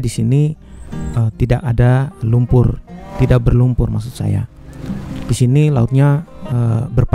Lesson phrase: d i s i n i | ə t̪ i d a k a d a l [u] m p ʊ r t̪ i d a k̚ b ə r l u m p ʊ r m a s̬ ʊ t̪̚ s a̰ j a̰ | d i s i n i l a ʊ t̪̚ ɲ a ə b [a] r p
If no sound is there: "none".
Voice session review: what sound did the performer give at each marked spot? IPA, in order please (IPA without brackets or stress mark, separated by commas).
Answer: u, ə